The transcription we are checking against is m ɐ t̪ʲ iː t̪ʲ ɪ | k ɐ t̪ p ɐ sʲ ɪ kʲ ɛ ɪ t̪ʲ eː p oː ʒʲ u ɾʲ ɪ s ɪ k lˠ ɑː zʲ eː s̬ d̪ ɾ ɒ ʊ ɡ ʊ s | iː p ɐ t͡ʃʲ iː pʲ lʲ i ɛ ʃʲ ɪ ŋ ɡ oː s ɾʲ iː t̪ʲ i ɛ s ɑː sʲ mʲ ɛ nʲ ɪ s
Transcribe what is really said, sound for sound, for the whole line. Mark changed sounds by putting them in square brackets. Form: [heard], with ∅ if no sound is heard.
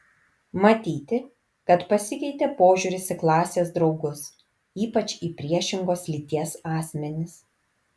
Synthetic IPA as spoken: m ɐ t̪ʲ iː t̪ʲ ɪ | k ɐ t̪ p ɐ sʲ ɪ kʲ ɛ ɪ t̪ʲ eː p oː ʒʲ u ɾʲ ɪ s ɪ k lˠ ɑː [sʲ] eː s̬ d̪ ɾ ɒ ʊ ɡ ʊ s | iː p ɐ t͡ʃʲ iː pʲ [ɾʲ] i ɛ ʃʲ ɪ ŋ ɡ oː s [lʲ] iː t̪ʲ i ɛ s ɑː sʲ mʲ ɛ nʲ ɪ s